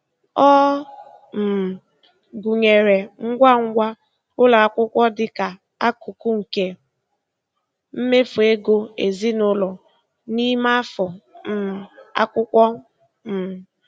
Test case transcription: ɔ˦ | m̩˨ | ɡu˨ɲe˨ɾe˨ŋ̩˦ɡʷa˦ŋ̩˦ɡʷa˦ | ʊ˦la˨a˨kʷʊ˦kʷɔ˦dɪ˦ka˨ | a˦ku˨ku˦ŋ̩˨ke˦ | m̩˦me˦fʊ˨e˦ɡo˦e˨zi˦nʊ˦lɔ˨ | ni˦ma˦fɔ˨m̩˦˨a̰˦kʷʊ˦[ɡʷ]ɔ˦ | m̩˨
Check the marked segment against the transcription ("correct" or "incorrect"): incorrect